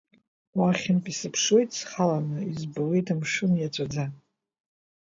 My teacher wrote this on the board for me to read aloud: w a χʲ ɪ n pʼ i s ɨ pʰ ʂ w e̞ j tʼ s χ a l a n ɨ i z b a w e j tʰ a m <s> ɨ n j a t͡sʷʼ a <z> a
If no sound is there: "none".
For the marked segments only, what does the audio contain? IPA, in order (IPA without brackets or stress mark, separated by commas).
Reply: ʂ, d͡z